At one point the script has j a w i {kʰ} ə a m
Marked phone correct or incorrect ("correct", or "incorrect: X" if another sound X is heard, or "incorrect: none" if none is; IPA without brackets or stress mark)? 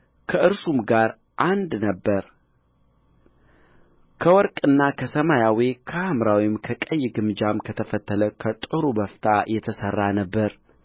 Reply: correct